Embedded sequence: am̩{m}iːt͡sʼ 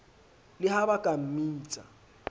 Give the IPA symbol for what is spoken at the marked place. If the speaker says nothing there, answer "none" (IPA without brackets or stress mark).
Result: m